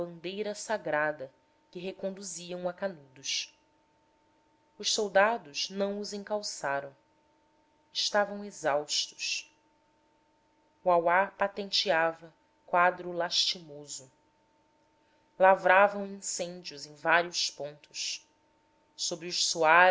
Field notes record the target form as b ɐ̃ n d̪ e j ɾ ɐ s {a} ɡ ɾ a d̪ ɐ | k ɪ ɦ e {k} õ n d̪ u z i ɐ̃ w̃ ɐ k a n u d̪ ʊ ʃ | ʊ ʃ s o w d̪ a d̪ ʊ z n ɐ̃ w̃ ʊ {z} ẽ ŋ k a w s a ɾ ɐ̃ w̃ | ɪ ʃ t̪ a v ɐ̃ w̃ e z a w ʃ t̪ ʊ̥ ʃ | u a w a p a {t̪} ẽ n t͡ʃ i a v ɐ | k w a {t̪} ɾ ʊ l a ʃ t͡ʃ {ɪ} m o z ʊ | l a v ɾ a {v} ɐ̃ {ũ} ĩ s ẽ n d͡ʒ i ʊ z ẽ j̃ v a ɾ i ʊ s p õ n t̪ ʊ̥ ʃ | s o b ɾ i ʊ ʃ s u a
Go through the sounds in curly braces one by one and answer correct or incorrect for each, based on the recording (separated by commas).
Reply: correct, correct, correct, correct, incorrect, incorrect, correct, incorrect